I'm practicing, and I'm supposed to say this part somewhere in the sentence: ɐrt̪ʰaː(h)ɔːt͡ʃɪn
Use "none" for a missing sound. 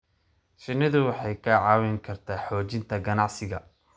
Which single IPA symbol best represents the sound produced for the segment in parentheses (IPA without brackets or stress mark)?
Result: ħ